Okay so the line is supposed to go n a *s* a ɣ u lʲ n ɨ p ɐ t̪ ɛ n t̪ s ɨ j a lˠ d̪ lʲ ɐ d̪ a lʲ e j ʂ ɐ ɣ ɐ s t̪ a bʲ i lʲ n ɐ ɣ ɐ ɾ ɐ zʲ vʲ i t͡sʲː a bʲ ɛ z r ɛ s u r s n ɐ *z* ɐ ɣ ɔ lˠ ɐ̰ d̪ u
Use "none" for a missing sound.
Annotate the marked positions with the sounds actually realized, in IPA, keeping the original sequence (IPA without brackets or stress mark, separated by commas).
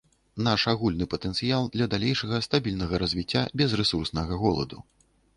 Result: ʂ, ɣ